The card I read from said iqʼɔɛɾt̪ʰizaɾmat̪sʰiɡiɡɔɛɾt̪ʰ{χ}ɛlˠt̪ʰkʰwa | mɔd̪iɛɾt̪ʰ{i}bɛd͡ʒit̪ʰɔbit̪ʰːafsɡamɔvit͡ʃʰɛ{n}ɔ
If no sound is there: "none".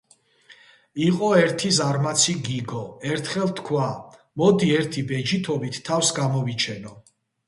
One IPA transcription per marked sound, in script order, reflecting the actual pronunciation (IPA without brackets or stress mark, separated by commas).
χ, i, n